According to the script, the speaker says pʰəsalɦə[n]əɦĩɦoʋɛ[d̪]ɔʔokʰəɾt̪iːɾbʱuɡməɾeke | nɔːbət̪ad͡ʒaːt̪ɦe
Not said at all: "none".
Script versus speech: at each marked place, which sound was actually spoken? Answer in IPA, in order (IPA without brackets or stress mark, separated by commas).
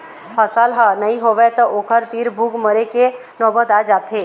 n, t̪